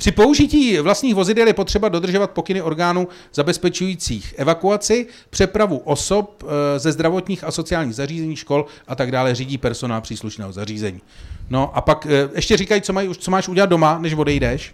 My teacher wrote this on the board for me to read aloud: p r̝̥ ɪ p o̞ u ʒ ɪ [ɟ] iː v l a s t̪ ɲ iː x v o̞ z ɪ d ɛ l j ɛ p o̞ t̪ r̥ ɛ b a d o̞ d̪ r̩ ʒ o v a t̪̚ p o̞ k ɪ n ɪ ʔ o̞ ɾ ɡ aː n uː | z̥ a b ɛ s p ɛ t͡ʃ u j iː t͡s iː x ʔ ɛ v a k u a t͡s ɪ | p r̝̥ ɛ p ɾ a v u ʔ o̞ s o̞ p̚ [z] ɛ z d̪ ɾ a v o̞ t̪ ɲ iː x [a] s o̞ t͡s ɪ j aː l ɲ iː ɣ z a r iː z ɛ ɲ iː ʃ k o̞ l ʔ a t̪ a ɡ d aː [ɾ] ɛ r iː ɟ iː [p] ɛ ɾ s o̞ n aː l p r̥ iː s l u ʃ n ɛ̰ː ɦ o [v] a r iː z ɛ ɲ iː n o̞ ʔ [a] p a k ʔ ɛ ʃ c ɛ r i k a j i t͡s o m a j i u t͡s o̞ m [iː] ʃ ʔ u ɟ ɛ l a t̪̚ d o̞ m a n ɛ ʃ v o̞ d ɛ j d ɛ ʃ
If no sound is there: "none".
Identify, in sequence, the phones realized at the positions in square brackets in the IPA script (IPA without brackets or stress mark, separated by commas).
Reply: c, z, a, l, p, z, a, aː